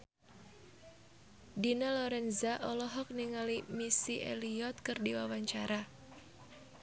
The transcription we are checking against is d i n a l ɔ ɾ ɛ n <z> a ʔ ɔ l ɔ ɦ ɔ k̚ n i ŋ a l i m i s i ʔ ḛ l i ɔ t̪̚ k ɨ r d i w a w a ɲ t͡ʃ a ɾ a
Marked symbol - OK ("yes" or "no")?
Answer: yes